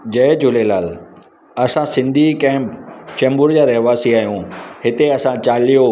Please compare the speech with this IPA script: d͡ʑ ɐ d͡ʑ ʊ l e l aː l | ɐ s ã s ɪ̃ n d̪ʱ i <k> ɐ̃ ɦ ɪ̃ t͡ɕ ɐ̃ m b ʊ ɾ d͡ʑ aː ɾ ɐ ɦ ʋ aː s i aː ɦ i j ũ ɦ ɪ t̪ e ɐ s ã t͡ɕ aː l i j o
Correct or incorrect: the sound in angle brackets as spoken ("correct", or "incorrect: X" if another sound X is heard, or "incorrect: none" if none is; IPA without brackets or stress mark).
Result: correct